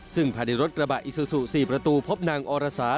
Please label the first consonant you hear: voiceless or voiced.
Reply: voiceless